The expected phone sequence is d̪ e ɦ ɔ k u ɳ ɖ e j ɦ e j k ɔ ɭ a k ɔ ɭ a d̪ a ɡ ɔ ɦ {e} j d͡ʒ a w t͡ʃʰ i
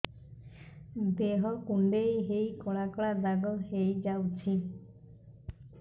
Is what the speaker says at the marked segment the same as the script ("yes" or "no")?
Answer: yes